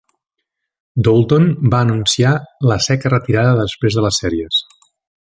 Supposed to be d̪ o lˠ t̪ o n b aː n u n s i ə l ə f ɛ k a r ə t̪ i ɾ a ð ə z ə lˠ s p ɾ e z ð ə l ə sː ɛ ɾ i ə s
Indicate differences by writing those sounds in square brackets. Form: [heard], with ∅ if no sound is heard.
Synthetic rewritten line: d̪ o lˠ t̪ o n b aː n u n s i [a] l ə [s] ɛ k [ə] r ə t̪ i ɾ a ð ə [ð] ə [∅] s p ɾ e z ð ə l ə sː ɛ ɾ i ə s